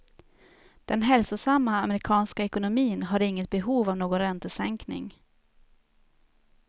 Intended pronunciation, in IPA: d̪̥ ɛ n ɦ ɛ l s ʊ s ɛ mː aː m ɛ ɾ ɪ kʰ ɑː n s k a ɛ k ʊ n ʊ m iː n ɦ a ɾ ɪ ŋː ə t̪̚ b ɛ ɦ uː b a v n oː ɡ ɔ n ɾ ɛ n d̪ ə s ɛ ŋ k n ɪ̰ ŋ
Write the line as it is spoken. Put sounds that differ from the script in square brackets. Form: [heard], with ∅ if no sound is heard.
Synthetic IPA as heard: d̪̥ ɛ n ɦ ɛ l s ʊ s [a] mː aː m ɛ ɾ ɪ kʰ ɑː n s k a ɛ k ʊ n ʊ m iː n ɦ a ɾ ɪ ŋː ə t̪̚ b ɛ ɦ uː [v] a v n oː ɡ ɔ n ɾ ɛ n [t̪] ə s ɛ ŋ k n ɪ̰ ŋ